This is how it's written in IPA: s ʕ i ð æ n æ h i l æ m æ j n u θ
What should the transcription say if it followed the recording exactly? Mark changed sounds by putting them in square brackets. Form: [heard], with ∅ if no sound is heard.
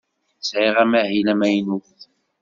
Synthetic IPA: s ʕ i [ʁ] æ [m] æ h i l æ m æ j n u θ